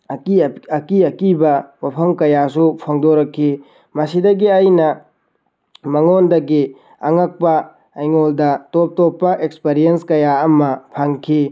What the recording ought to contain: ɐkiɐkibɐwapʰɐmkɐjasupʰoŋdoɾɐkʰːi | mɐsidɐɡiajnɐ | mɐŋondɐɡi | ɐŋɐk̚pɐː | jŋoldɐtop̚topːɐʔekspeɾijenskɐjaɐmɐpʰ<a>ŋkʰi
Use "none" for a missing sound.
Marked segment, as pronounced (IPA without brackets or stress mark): a